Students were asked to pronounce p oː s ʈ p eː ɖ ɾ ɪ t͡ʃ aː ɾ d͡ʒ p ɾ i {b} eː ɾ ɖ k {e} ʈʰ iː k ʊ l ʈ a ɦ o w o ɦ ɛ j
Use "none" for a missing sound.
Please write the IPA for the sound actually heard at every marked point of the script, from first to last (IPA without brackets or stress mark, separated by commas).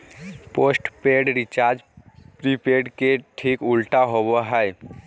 p, e